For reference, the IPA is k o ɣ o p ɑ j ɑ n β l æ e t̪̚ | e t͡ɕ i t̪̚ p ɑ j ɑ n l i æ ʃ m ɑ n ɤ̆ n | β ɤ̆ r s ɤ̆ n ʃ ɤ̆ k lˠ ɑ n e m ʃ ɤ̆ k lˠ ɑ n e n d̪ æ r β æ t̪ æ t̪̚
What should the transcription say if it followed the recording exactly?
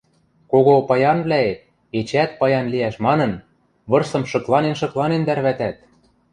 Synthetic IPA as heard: k o ɣ o p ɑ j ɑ n β l æ e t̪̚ | e t͡ɕ æ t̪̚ p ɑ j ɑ n l i æ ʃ m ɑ n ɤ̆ n | β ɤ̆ r s ɤ̆ m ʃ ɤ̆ k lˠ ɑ n e n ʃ ɤ̆ k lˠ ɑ n e n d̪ æ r β æ t̪ æ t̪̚